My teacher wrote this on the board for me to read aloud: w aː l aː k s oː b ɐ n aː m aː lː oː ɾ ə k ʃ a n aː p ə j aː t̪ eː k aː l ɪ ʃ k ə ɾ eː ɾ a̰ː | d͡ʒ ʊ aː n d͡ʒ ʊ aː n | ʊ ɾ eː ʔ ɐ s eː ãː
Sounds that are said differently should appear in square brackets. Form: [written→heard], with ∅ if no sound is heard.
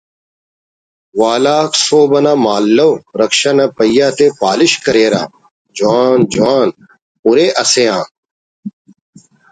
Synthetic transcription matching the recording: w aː l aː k s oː b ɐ n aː m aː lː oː ɾ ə k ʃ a n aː p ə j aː t̪ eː [k→p] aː l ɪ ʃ k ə ɾ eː ɾ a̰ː | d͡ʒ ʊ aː n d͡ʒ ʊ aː n | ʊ ɾ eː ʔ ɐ s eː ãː